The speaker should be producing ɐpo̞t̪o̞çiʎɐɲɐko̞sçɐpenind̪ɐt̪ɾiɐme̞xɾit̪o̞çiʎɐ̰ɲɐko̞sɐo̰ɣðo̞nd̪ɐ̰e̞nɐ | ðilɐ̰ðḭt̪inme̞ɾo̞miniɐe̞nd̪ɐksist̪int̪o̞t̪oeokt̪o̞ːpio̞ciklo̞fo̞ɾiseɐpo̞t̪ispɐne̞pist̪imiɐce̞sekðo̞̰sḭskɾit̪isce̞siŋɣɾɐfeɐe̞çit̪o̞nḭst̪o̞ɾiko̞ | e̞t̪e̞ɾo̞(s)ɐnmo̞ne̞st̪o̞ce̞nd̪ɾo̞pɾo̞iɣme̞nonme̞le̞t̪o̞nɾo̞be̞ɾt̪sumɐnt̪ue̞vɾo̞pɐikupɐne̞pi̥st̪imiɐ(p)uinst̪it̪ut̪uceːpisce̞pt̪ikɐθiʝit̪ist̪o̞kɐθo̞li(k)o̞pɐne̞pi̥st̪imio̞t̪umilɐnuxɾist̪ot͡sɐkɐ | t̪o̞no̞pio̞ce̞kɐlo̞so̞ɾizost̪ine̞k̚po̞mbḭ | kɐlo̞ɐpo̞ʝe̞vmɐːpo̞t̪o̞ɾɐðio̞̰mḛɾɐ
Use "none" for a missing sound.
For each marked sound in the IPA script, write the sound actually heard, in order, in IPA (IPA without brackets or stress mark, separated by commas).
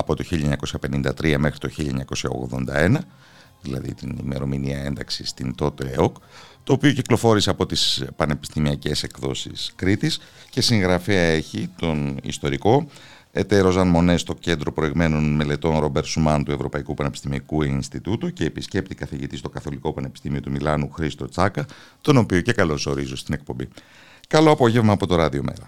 z, k, k